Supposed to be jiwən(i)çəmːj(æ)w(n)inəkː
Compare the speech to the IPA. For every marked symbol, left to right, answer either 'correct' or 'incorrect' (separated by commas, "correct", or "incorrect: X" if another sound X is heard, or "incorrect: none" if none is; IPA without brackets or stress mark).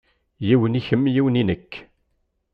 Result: correct, incorrect: i, correct